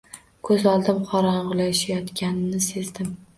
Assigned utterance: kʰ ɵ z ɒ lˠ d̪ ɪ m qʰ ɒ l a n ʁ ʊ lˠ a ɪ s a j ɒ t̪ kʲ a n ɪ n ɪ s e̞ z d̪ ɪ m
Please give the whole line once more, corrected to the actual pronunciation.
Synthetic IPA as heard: kʰ ɵ z ɒ lˠ d̪ ɪ m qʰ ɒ ɾ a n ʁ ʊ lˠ a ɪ ʃ a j ɒ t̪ kʲ a n ɪ n ɪ s e̞ z d̪ ɪ m